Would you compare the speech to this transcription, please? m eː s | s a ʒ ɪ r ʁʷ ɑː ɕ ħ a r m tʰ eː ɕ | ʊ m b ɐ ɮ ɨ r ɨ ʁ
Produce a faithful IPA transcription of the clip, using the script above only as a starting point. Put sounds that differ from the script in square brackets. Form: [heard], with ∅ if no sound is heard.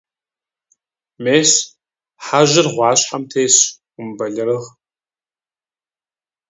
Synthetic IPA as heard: m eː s | [ħ] a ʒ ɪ r ʁʷ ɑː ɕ ħ a [∅] m tʰ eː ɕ | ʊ m b ɐ ɮ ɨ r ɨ ʁ

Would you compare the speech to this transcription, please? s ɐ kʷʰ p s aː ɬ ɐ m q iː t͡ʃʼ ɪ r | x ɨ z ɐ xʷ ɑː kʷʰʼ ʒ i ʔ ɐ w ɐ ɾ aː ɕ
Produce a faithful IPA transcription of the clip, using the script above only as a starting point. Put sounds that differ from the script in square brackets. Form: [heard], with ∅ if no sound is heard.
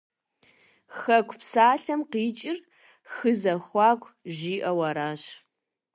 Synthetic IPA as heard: [x] ɐ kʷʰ p s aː ɬ ɐ m q iː t͡ʃʼ ɪ r | x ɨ z ɐ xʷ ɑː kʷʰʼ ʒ [iː] ʔ ɐ w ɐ ɾ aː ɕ

